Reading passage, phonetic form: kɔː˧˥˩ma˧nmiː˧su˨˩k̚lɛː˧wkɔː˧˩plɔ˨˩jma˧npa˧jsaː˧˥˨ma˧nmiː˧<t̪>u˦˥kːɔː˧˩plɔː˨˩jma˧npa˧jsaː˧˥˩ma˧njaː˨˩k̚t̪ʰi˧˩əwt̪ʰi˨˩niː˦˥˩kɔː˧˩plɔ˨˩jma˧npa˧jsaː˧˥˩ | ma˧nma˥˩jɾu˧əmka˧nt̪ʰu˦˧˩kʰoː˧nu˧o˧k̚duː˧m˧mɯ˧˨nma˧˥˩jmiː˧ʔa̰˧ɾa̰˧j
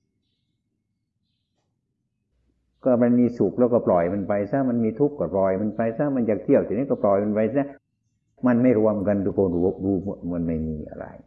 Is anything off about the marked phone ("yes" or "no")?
yes